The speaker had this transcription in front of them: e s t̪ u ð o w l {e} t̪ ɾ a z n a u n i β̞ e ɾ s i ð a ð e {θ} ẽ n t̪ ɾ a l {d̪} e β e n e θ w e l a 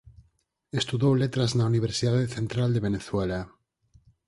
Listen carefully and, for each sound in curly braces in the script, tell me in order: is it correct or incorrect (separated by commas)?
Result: correct, correct, correct